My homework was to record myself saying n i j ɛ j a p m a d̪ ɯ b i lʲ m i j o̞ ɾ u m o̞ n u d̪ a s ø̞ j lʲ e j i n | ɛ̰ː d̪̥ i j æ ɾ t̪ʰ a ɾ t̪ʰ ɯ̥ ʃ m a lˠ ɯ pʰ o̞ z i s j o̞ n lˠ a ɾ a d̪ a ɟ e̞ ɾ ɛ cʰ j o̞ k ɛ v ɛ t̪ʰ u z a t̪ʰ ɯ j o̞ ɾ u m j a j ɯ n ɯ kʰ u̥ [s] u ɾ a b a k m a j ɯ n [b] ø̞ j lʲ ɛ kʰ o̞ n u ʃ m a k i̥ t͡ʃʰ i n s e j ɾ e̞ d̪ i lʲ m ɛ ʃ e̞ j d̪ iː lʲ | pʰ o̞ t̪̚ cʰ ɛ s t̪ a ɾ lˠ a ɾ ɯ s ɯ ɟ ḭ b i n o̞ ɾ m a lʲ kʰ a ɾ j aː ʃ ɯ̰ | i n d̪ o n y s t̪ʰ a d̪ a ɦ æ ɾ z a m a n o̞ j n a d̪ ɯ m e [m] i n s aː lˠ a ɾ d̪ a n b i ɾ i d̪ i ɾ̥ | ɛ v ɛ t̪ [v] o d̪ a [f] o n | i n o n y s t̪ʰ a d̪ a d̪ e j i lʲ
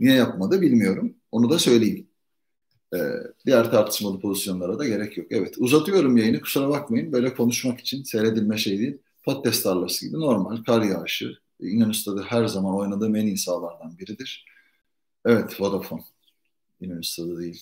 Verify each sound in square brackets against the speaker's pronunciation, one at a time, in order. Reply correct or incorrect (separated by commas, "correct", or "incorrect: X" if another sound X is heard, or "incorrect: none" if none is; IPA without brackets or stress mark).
correct, correct, incorrect: n, correct, correct